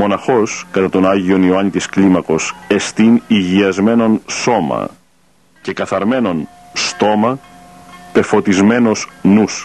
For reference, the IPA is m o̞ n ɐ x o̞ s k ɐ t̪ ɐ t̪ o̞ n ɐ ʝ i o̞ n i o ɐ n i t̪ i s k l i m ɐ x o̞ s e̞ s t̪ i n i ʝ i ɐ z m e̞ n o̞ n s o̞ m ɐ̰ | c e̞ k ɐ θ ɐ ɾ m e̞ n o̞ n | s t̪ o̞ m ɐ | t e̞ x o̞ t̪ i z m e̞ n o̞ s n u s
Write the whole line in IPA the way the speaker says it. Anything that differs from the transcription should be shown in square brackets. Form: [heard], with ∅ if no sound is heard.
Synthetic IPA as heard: m o̞ n ɐ x o̞ s k ɐ t̪ ɐ t̪ o̞ n ɐ ʝ i o̞ n i o ɐ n i t̪ i s k l i m ɐ [k] o̞ s e̞ s t̪ i n i ʝ i ɐ z m e̞ n o̞ n s o̞ m ɐ̰ | c e̞ k ɐ θ ɐ ɾ m e̞ n o̞ n | s t̪ o̞ m ɐ | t e̞ [f] o̞ t̪ i z m e̞ n o̞ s n u s